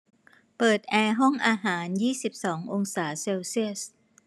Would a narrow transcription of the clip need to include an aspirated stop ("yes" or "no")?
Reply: no